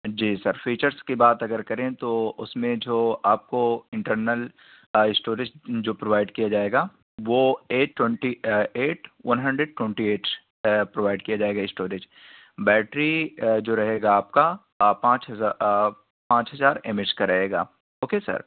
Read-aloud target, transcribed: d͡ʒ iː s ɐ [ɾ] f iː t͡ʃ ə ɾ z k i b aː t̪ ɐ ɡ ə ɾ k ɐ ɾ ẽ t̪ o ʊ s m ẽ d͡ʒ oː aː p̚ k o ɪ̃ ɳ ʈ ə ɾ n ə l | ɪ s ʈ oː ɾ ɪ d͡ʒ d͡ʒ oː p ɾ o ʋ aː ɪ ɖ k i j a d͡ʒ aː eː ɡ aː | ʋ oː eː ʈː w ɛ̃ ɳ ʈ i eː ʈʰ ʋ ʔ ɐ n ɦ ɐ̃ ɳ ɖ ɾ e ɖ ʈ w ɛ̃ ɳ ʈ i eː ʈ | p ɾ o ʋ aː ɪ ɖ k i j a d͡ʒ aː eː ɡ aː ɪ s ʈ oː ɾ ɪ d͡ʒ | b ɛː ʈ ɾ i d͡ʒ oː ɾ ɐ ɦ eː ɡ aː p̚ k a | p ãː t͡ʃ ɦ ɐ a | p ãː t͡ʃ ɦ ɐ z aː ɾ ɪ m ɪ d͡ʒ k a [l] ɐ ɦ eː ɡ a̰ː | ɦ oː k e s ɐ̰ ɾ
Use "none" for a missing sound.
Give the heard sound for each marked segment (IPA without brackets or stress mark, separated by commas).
ɾ, ɾ